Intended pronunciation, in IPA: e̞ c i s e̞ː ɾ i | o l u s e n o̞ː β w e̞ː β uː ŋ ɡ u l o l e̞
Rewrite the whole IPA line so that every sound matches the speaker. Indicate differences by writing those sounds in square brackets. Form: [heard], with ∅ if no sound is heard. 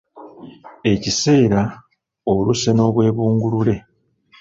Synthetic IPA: e̞ c i s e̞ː ɾ [a] | o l u s e n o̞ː β w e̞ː β uː ŋ ɡ u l [u] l e̞